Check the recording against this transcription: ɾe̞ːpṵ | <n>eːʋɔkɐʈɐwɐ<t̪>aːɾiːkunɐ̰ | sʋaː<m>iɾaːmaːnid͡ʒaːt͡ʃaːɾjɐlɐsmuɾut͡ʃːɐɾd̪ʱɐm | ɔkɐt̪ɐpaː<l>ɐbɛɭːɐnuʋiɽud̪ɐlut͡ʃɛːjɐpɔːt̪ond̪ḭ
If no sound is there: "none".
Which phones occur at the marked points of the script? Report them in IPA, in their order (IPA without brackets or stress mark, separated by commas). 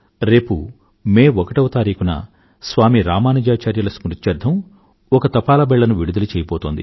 m, t̪, m, l